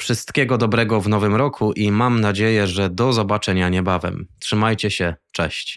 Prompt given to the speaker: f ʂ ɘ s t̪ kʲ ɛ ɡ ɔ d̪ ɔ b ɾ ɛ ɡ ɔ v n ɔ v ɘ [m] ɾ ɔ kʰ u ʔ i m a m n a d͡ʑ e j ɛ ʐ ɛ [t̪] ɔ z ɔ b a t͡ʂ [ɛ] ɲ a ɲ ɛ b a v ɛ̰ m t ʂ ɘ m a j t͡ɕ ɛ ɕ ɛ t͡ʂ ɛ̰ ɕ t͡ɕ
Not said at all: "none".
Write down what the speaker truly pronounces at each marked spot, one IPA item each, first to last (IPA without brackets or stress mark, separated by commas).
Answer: m, d̪, ɛ